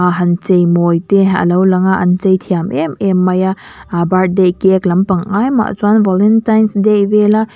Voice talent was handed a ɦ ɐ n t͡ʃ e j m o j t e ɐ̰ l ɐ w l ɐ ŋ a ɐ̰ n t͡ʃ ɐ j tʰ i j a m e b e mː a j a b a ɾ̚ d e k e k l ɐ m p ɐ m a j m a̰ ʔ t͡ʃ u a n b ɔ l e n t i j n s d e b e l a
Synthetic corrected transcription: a ɦ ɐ n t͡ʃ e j m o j t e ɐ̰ l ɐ w l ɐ ŋ a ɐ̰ n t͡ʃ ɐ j tʰ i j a m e m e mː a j a b a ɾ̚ d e k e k l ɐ m p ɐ ŋ a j m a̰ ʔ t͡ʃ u a n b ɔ l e n t a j n s d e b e l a